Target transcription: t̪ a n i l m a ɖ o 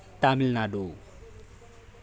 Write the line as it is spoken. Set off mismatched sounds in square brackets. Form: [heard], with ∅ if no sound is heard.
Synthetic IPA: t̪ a [m] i l [n] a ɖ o